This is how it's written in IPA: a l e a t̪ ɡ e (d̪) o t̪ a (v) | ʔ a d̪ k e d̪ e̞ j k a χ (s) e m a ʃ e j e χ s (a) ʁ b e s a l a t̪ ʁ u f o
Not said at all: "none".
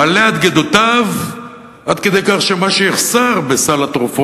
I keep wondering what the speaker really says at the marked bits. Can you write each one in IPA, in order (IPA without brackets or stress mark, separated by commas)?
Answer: d̪, v, ʃ, a